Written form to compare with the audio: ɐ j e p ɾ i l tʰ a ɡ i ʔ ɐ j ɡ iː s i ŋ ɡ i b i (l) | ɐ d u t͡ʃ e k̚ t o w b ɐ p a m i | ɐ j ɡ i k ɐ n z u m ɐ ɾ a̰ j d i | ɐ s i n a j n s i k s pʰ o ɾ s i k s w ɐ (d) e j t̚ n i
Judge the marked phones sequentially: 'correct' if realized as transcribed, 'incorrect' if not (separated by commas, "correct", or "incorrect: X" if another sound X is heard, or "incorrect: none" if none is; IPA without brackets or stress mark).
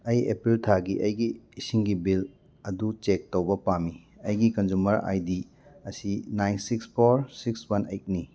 correct, incorrect: n